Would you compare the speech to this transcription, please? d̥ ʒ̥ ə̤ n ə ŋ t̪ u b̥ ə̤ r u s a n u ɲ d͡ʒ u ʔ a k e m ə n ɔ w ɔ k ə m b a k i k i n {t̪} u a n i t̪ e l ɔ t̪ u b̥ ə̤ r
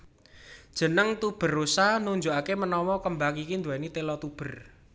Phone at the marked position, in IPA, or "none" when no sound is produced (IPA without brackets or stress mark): d̪